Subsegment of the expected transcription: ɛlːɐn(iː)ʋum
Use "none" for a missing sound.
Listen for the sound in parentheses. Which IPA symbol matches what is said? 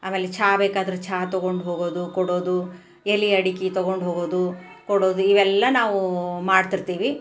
aː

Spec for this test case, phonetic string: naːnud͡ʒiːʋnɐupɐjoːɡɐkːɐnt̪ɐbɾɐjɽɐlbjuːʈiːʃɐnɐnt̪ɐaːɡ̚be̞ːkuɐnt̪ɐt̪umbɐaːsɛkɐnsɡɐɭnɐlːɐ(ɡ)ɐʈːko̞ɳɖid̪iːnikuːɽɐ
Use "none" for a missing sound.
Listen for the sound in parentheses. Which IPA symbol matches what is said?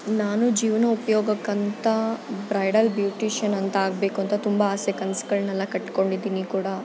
k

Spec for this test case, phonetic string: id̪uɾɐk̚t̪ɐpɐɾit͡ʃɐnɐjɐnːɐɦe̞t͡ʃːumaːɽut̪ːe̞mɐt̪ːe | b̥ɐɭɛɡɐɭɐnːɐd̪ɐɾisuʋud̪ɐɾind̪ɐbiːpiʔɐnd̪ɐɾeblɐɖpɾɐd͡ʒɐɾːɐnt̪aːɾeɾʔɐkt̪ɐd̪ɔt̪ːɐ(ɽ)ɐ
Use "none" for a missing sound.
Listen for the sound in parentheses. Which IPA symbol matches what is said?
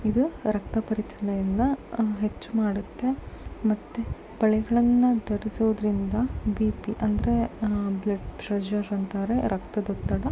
ɽ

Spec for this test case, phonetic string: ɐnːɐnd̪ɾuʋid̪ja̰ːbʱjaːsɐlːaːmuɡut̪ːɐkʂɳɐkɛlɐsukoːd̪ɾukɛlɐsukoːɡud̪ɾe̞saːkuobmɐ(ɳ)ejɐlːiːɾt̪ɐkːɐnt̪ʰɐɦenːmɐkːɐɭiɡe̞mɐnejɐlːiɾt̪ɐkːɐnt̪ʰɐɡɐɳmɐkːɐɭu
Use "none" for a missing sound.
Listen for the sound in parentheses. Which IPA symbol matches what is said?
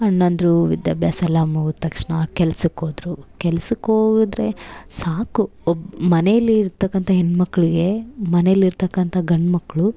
n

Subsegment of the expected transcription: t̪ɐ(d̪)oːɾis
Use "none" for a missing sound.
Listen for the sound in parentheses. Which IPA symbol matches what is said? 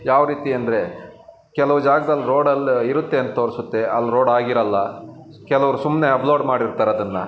t̪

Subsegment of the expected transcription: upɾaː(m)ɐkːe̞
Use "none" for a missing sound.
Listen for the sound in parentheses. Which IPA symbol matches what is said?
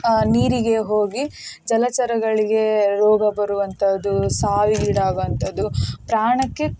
ɳ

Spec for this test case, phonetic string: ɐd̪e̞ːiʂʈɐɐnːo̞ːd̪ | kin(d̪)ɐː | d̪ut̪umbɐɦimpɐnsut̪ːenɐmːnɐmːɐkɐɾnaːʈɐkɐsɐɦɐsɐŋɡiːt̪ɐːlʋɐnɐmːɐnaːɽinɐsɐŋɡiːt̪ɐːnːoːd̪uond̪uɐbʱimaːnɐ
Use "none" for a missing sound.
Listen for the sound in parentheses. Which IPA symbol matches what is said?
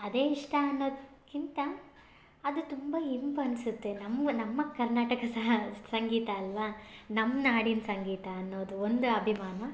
t̪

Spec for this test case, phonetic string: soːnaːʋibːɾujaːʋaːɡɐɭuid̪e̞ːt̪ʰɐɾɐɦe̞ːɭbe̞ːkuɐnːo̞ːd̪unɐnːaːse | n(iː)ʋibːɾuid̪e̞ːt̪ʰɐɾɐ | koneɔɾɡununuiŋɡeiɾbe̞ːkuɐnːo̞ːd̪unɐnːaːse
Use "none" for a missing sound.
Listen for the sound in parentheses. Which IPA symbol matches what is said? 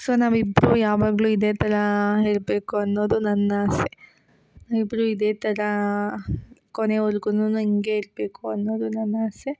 aː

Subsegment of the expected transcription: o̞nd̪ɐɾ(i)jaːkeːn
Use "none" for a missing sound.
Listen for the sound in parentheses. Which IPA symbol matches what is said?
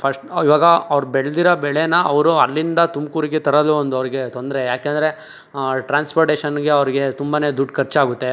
e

